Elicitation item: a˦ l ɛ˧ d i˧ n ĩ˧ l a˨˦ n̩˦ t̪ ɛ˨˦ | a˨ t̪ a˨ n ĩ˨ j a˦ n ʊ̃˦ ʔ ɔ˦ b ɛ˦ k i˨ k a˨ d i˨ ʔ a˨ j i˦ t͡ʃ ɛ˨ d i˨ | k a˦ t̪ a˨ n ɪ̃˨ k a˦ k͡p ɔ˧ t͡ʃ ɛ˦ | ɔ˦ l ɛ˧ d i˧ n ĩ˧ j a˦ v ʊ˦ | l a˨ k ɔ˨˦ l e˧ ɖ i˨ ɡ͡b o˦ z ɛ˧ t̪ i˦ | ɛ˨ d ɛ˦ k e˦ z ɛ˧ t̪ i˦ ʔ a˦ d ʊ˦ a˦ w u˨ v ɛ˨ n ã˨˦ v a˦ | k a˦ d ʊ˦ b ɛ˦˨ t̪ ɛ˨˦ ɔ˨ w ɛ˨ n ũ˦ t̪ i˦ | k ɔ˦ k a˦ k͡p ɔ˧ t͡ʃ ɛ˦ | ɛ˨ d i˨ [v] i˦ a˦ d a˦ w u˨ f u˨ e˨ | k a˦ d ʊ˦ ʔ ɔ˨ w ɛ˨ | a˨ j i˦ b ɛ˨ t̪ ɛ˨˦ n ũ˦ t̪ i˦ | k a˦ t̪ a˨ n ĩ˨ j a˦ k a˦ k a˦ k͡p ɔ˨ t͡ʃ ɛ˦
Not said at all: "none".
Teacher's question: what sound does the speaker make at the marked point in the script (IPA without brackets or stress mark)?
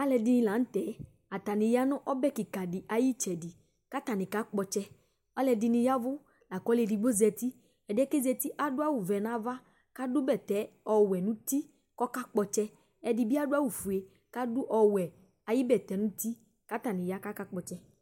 b